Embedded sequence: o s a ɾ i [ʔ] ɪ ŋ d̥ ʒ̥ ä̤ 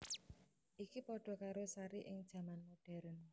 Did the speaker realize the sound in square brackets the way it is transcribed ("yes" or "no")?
yes